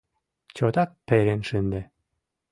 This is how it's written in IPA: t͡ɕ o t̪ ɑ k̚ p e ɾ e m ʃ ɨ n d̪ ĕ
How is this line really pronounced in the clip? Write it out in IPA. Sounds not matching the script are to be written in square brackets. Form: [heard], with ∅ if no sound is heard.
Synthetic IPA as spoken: t͡ɕ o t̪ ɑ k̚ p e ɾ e [n] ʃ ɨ n d̪ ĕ